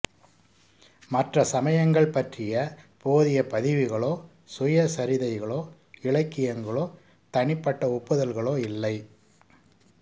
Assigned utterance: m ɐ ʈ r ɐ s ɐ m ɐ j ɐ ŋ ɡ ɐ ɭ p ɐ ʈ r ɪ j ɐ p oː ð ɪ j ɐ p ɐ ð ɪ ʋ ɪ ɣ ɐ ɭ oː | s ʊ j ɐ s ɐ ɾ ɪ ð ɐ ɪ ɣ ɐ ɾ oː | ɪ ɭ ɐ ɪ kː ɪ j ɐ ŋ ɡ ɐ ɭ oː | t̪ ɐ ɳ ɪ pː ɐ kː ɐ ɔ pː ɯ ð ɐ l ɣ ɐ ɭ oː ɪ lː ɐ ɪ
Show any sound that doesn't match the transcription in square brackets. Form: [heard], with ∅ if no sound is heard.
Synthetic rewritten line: m ɐ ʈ r ɐ s ɐ m ɐ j ɐ ŋ ɡ ɐ ɭ p ɐ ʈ r ɪ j ɐ p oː ð ɪ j ɐ p ɐ ð ɪ ʋ ɪ ɣ ɐ ɭ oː | s ʊ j ɐ s ɐ ɾ ɪ ð ɐ ɪ ɣ ɐ [ɭ] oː | ɪ ɭ ɐ ɪ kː ɪ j ɐ ŋ ɡ ɐ ɭ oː | t̪ ɐ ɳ ɪ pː ɐ [ʈː] ɐ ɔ pː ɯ ð ɐ l ɣ ɐ ɭ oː ɪ lː ɐ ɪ